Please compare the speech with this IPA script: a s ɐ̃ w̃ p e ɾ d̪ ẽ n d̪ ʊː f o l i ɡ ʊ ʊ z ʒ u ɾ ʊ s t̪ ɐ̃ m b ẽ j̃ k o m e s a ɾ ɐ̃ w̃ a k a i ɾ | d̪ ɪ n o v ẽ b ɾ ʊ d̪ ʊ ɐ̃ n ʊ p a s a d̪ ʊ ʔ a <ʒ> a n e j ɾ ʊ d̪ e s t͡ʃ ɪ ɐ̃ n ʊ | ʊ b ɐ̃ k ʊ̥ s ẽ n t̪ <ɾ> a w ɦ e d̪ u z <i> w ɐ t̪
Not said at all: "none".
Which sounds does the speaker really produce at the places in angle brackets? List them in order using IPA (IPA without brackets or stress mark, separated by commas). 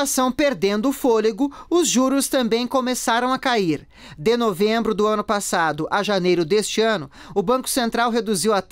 ʒ, ɾ, i